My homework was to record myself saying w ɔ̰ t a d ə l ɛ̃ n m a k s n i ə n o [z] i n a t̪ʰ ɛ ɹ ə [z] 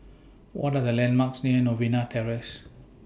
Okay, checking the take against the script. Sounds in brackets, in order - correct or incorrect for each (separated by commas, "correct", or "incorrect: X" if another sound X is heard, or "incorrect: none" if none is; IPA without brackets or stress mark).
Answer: incorrect: v, incorrect: s